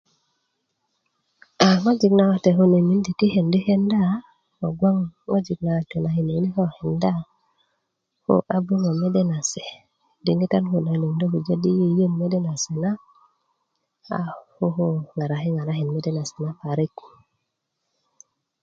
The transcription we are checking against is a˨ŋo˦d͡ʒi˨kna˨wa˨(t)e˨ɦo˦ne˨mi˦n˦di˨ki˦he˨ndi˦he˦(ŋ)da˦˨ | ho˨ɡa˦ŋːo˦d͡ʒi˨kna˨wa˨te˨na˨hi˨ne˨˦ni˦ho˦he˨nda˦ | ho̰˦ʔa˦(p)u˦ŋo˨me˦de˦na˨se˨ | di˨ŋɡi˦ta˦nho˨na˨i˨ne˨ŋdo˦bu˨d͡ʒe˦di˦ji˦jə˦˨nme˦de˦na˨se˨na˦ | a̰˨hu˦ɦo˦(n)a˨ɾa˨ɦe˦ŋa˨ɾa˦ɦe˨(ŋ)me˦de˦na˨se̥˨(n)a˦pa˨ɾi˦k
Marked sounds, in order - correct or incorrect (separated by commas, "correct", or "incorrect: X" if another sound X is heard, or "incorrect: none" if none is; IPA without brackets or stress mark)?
correct, incorrect: n, incorrect: b, incorrect: ŋ, incorrect: n, correct